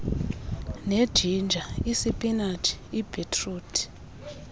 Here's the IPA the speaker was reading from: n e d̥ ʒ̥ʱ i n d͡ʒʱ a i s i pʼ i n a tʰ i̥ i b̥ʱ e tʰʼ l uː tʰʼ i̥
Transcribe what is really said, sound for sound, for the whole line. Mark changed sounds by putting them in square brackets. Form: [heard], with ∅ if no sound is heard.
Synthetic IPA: n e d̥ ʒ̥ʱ i n d͡ʒʱ a i s i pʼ i n a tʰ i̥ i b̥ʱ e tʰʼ [r] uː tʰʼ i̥